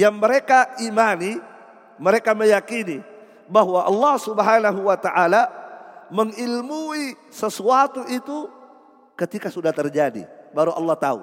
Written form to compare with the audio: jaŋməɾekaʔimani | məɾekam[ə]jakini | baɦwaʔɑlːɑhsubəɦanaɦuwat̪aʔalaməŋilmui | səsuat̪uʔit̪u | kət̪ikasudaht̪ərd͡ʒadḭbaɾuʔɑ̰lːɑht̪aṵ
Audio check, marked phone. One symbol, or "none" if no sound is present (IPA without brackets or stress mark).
ə